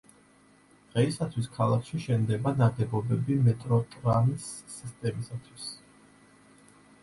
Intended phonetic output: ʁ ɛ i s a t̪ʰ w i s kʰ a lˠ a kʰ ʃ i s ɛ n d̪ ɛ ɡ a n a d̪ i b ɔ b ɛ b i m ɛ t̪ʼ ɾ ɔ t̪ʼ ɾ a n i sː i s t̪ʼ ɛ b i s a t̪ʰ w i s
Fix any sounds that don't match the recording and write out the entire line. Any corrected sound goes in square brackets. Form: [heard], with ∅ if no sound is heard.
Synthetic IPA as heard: ʁ ɛ i s a t̪ʰ w i s kʰ a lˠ a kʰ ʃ i [ʃ] ɛ n d̪ ɛ [b] a n a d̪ [ɛ] b ɔ b ɛ b i m ɛ t̪ʼ ɾ ɔ t̪ʼ ɾ a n i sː i s t̪ʼ ɛ [m] i s a t̪ʰ w i s